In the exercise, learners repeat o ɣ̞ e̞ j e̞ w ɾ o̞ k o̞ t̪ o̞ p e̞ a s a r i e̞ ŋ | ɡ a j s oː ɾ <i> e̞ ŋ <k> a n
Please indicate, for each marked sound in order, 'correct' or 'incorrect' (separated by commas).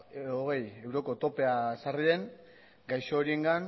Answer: correct, incorrect